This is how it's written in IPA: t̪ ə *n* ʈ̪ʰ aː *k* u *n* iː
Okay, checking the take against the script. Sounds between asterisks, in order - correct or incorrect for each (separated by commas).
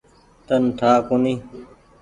correct, correct, correct